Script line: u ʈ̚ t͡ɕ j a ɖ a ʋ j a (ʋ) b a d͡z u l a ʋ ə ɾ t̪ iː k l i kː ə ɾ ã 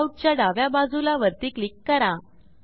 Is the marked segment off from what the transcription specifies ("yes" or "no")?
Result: yes